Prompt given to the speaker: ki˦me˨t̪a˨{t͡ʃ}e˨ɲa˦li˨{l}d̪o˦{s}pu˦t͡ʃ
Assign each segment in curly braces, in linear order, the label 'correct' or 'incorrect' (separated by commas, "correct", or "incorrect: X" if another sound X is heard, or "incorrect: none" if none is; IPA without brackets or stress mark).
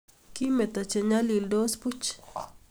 correct, correct, correct